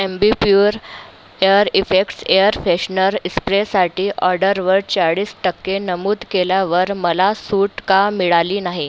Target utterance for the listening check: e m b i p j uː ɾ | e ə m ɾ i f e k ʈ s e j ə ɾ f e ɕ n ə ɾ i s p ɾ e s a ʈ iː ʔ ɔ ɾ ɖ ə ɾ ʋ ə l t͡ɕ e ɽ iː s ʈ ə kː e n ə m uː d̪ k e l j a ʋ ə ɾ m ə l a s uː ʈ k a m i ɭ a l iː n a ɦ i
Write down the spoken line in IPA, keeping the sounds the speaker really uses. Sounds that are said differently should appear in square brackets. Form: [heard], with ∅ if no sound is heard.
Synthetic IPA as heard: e m b i p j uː ɾ | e ə [∅] ɾ i f e k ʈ s e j ə ɾ f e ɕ n ə ɾ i s p ɾ e s a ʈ iː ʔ ɔ ɾ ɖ ə ɾ ʋ ə [ɾ] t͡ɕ [a] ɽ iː s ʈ ə kː e n ə m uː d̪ k e l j a ʋ ə ɾ m ə l a s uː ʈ k a m i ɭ a l iː n a ɦ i